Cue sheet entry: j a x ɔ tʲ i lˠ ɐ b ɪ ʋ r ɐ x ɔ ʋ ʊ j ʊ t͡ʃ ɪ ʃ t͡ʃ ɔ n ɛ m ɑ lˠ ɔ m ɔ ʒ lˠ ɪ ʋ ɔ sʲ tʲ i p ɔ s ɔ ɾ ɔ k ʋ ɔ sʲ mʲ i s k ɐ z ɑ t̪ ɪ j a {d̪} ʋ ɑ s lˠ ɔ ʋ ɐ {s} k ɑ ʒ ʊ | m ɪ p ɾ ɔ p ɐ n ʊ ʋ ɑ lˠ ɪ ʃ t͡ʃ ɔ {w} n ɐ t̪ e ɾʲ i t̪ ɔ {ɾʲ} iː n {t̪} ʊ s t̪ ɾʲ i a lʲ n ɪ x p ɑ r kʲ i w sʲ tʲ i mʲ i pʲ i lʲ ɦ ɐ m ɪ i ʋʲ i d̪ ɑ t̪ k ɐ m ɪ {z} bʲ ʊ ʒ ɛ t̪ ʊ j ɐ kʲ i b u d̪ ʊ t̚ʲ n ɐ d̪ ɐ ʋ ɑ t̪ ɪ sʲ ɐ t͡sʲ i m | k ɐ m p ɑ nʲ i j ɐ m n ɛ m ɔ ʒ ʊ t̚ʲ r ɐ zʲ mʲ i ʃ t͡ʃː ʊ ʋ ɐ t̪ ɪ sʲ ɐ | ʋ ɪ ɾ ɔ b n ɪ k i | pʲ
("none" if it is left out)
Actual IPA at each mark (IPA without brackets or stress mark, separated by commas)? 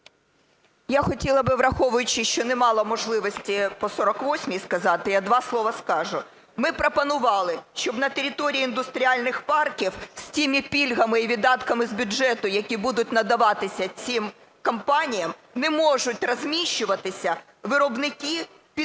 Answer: d̪, s, b, ɾʲ, d̪, z